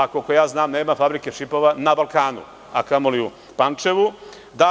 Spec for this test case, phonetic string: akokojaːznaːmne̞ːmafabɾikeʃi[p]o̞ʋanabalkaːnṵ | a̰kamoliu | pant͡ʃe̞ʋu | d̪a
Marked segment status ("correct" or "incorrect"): correct